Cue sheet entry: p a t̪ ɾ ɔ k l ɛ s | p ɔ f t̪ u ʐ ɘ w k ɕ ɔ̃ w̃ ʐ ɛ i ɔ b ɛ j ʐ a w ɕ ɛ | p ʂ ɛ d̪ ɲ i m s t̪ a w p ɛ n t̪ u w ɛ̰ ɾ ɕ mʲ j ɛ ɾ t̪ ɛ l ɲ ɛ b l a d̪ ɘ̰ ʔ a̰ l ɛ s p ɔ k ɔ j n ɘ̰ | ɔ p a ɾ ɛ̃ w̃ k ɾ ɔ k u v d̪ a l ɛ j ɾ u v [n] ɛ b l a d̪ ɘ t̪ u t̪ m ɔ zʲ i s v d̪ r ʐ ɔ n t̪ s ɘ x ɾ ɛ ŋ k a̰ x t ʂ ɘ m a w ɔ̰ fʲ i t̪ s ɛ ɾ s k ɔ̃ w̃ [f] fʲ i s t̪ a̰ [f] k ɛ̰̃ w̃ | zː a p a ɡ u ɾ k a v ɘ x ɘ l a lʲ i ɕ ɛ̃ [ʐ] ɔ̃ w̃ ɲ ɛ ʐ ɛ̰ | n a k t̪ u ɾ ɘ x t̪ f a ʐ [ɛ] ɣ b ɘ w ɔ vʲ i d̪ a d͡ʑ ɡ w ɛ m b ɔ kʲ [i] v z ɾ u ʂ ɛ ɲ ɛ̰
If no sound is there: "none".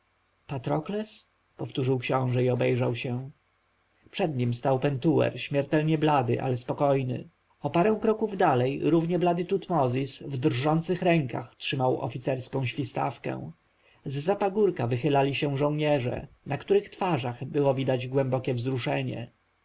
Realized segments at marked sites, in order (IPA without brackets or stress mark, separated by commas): ɲ, ɕ, f, ʐ, a, ɛ